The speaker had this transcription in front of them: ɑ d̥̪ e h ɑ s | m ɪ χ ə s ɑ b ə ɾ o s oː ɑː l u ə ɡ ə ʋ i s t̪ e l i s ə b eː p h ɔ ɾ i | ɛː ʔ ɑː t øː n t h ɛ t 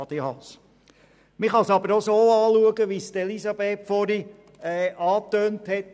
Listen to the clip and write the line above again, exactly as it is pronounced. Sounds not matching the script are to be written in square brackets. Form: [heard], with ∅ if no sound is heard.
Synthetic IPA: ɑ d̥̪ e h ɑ s | m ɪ χ [ɑ] s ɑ b ə ɾ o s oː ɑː l u ə ɡ ə ʋ i s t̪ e l i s [ɑ] b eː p [f] ɔ ɾ i | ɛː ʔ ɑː t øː n t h ɛ t